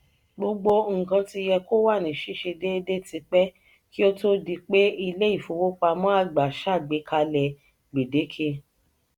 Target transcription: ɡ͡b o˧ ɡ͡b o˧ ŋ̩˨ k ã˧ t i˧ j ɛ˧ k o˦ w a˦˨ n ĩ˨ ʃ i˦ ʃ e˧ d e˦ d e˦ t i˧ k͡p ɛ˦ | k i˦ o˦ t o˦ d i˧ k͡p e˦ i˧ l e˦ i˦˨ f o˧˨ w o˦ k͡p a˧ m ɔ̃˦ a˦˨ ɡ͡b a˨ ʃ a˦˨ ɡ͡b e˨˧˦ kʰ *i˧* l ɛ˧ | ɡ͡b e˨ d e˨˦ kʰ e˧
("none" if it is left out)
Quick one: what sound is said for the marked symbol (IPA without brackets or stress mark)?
a˧